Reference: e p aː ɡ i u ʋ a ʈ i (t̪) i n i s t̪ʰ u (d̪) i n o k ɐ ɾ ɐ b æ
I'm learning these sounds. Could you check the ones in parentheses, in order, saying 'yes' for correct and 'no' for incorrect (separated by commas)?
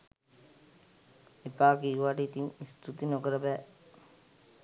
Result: yes, no